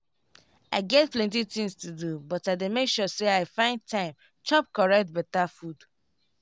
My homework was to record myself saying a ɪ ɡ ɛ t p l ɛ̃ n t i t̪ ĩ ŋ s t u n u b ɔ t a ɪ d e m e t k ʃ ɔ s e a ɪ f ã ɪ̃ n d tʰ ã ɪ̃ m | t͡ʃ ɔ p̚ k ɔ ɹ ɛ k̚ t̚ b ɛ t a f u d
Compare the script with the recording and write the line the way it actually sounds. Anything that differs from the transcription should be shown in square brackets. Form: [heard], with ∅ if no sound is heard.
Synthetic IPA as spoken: a ɪ ɡ ɛ t p l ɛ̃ n t i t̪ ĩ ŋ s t u [d] u b ɔ t a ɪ d e m e [∅] k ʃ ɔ s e a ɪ f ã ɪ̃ n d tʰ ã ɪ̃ m | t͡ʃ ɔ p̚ k ɔ ɹ ɛ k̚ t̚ b ɛ t a f u d